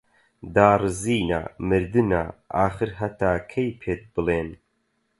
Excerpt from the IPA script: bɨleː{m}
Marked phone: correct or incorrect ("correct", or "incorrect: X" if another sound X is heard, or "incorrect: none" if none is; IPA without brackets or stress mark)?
incorrect: n